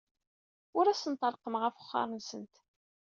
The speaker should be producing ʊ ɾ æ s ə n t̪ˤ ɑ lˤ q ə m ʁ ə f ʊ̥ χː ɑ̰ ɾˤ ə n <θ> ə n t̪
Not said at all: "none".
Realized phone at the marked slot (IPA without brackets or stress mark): s